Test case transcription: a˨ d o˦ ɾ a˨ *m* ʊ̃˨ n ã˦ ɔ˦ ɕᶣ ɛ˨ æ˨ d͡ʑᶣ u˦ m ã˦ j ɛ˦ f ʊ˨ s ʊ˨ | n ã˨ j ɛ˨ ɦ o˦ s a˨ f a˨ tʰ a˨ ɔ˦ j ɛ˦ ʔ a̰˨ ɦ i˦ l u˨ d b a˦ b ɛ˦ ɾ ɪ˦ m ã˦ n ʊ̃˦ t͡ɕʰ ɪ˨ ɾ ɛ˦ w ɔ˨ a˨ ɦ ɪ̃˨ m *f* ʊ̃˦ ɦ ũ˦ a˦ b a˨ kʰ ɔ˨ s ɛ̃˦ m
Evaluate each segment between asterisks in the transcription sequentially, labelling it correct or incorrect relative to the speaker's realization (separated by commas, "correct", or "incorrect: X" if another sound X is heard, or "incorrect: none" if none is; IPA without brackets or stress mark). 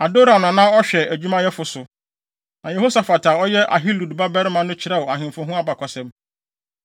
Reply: incorrect: n, correct